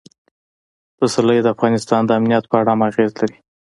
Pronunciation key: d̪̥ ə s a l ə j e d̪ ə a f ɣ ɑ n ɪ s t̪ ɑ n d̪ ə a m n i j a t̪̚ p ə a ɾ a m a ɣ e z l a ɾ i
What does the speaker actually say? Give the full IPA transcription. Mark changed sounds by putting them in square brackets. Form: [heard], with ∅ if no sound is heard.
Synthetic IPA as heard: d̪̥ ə s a l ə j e d̪ ə a f ɣ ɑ n ɪ s t̪ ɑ n d̪ ə a m n i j a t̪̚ p ə a [ɽ] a m a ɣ e z l a ɾ i